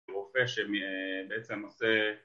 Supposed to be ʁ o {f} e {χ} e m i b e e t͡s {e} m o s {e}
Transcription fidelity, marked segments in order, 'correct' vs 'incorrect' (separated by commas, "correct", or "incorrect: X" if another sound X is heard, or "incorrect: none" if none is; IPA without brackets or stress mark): correct, incorrect: ʃ, correct, correct